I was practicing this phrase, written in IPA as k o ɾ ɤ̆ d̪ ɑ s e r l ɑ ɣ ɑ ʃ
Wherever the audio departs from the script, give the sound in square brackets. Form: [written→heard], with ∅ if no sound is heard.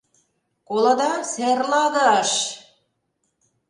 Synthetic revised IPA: k o [ɾ→l] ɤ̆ d̪ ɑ s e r l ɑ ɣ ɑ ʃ